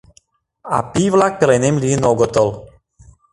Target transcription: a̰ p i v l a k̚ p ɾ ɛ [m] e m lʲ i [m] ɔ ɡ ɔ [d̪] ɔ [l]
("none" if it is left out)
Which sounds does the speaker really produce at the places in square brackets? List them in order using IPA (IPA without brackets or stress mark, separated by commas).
n, n, t̪, l